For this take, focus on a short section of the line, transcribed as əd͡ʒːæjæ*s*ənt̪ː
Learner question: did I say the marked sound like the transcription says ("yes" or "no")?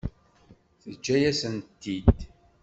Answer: yes